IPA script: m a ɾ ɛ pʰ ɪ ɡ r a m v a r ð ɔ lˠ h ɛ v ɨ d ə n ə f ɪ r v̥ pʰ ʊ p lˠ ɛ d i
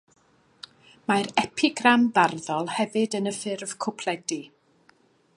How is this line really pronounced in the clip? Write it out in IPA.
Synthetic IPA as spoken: m a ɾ ɛ pʰ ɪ ɡ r a m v a r ð ɔ lˠ h ɛ v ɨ d ə n ə f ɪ r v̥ kʰ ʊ pʰ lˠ ɛ d i